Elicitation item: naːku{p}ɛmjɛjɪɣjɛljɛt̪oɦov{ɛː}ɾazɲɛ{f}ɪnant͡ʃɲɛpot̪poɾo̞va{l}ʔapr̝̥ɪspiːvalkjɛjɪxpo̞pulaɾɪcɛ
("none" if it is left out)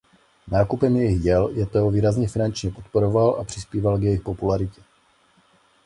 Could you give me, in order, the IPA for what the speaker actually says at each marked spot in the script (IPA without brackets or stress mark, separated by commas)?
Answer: p, iː, f, l